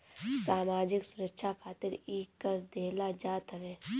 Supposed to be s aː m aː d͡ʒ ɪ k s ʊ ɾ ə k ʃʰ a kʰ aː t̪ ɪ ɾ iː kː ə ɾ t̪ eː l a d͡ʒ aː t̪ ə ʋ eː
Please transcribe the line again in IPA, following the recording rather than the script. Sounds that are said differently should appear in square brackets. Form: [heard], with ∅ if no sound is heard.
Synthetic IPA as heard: s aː m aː d͡ʒ ɪ k s ʊ ɾ ə k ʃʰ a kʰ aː t̪ ɪ ɾ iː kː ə ɾ [d̪] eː l a d͡ʒ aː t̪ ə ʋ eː